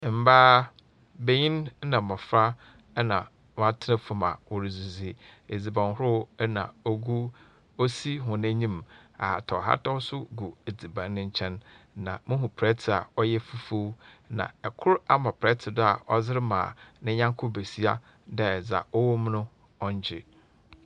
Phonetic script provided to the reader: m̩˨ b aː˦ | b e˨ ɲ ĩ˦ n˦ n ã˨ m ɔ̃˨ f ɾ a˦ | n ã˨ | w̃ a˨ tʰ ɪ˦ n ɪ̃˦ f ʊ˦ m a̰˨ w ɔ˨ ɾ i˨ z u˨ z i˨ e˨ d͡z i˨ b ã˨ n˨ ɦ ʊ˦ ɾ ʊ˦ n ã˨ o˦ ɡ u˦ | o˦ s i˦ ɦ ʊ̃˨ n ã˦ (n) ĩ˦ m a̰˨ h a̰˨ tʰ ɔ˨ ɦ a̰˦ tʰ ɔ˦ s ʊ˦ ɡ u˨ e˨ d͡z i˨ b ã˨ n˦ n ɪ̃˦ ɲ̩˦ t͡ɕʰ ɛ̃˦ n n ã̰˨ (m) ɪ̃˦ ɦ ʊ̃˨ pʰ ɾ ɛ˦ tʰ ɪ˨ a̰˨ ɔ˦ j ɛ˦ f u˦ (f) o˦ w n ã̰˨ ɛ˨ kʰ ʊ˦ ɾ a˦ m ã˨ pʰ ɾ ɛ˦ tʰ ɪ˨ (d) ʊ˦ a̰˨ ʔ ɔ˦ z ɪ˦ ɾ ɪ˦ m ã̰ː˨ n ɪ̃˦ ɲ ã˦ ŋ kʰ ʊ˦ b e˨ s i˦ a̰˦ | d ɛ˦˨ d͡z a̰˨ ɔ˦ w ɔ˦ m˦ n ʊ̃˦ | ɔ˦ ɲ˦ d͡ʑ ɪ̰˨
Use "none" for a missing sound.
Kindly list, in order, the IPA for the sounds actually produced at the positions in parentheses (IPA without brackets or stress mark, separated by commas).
ɲ, m, f, d